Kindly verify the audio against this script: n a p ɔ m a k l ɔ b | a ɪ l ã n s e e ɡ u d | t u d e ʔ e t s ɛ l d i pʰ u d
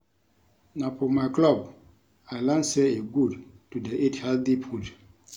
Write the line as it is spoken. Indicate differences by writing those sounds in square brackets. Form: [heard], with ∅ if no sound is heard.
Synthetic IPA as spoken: n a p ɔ m a k l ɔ b | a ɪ l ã n s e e ɡ u d | t u d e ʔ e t [h] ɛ l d i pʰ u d